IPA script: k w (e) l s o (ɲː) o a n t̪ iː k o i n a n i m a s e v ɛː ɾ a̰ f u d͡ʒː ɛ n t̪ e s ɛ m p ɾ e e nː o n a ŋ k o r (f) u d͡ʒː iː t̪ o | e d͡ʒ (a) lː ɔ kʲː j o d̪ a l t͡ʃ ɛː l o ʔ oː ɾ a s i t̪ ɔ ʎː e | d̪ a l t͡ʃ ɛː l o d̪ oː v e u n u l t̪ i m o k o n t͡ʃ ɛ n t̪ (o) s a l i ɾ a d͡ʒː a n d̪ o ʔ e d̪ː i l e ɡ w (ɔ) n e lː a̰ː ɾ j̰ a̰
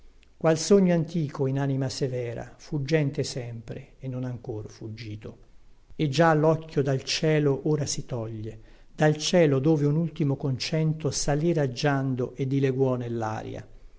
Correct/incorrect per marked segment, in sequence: incorrect: a, correct, correct, correct, correct, correct

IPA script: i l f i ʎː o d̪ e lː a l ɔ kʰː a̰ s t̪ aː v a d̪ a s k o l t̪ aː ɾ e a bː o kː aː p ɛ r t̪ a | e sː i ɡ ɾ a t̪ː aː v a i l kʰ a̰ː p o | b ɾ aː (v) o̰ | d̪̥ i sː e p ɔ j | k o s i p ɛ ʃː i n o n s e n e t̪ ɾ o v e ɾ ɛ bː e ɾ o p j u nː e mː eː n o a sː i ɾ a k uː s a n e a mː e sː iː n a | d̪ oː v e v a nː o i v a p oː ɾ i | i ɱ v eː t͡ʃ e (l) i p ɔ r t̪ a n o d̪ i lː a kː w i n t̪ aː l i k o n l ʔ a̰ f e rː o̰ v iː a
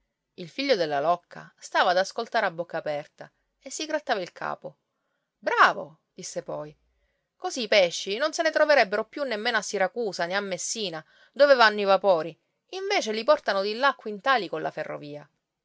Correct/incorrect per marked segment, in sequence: correct, correct

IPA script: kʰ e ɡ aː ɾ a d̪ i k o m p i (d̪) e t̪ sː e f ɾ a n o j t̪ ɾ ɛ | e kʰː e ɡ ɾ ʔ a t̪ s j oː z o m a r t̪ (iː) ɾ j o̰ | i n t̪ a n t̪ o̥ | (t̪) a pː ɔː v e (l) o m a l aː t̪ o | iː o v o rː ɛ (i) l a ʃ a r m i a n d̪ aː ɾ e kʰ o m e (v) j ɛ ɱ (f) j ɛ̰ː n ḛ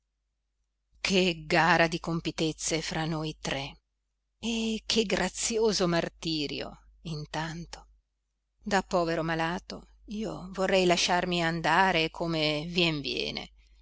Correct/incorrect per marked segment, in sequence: incorrect: t̪, correct, incorrect: d̪, incorrect: ɾ, incorrect: j, correct, incorrect: v

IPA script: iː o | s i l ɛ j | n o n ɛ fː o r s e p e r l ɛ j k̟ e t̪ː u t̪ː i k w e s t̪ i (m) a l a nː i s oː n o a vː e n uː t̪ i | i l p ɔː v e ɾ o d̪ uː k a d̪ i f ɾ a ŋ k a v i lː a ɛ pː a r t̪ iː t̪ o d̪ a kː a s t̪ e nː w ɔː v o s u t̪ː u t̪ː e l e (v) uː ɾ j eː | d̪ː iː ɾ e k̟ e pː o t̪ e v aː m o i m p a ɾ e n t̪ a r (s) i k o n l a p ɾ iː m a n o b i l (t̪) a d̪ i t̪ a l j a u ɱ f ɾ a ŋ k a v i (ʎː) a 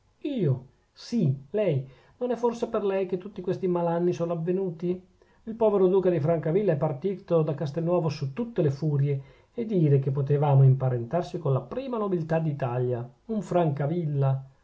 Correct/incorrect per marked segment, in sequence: correct, incorrect: f, correct, correct, incorrect: lː

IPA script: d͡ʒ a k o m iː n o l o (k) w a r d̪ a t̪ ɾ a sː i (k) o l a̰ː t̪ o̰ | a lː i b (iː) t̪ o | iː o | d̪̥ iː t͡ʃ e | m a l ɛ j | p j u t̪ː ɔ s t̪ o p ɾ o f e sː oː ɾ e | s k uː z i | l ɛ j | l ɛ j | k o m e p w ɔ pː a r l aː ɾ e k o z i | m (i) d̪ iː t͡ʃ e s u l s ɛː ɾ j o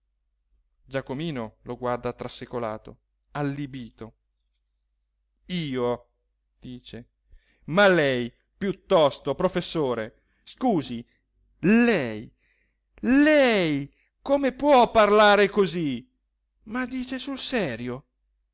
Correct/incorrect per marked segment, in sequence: incorrect: ɡ, correct, correct, incorrect: a

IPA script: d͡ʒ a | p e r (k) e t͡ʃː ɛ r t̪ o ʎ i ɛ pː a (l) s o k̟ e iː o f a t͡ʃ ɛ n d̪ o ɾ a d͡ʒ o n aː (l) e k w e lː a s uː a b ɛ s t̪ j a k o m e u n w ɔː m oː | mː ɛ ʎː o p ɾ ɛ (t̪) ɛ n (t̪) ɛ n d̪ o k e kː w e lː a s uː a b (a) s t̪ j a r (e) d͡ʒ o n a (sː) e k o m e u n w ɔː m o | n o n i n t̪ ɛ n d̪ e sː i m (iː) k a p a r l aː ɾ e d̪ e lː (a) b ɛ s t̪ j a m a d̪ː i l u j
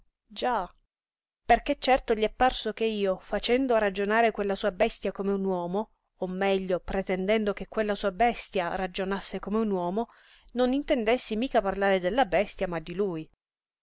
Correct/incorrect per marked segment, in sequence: correct, incorrect: r, incorrect: ɾ, correct, incorrect: d̪, incorrect: ɛ, incorrect: a, correct, correct, correct

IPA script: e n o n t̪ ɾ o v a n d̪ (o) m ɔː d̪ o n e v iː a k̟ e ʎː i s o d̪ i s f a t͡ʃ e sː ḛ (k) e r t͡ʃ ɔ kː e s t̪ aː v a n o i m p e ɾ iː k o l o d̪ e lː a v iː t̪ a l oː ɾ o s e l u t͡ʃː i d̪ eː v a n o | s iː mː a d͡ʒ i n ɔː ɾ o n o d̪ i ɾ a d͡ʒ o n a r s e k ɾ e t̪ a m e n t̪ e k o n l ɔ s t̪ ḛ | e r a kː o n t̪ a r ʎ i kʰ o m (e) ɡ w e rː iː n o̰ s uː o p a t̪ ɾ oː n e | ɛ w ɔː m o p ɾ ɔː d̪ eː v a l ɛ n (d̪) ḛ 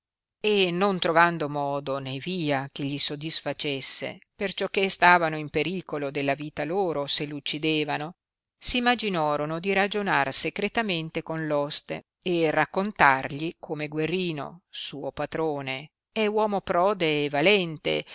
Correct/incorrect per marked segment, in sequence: correct, incorrect: p, correct, incorrect: t̪

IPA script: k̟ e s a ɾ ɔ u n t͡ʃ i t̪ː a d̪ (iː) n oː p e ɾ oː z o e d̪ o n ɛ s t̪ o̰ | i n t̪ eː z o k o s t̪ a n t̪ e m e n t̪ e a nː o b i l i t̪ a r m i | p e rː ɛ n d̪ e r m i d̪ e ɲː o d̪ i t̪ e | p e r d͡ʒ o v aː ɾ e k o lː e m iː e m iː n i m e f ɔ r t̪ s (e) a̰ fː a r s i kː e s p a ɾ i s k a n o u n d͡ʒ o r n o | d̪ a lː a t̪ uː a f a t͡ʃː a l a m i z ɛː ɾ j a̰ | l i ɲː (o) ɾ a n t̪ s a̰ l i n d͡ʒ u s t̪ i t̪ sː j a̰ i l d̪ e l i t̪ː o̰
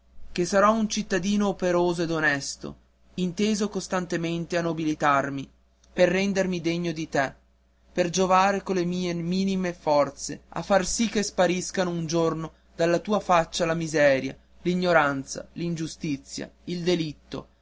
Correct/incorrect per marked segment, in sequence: correct, correct, correct

